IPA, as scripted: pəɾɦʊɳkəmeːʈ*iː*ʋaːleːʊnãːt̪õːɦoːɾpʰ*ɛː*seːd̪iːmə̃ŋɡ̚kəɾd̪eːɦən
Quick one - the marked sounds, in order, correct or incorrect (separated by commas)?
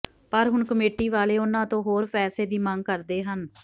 correct, correct